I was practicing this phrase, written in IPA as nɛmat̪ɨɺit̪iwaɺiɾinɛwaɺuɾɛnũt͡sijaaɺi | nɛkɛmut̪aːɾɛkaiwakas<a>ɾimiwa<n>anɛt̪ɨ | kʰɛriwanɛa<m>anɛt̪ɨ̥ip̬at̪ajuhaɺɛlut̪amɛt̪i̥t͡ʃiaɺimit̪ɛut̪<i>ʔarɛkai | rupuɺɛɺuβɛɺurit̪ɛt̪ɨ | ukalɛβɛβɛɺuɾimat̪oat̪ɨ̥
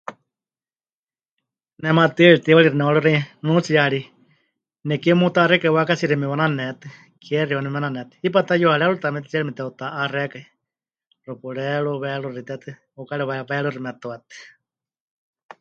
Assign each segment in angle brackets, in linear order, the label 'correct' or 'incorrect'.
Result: incorrect: i, correct, incorrect: n, incorrect: a

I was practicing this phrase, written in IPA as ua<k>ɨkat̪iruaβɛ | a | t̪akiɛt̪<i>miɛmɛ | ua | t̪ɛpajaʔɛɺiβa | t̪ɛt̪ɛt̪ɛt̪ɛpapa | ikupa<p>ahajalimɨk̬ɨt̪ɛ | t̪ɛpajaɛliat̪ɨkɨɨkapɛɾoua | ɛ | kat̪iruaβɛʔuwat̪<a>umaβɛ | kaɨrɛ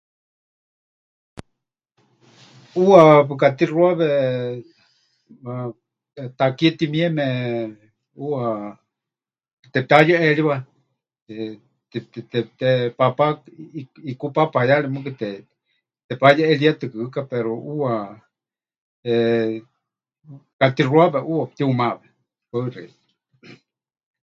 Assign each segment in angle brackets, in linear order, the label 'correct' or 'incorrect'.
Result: incorrect: p, correct, correct, incorrect: i

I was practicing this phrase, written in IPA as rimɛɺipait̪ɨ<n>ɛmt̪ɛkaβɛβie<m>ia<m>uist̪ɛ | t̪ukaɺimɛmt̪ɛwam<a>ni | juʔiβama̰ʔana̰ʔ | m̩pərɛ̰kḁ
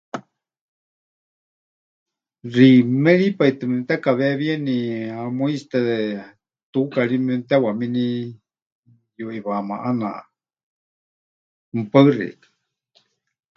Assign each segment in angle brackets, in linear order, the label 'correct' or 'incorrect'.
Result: incorrect: m, incorrect: n, correct, incorrect: i

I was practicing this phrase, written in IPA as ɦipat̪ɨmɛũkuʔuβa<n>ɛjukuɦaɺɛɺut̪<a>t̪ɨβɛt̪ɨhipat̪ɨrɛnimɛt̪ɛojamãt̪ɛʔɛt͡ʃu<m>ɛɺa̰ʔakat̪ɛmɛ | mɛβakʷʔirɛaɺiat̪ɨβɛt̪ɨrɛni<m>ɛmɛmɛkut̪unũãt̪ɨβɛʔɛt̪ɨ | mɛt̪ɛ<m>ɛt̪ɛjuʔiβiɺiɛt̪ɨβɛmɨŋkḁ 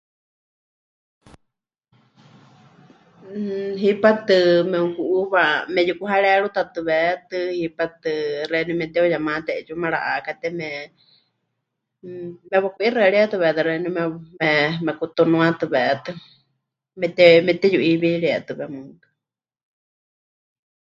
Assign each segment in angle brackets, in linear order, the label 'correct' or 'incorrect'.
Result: incorrect: m, correct, correct, correct, correct

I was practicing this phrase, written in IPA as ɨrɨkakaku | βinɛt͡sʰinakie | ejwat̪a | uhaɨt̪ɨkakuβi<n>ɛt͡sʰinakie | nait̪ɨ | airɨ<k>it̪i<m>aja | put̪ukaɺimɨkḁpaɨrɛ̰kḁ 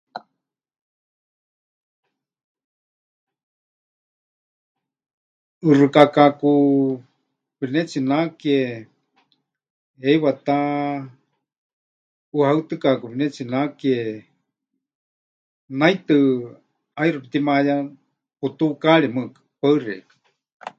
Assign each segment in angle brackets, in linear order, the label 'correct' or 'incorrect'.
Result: correct, incorrect: p, correct

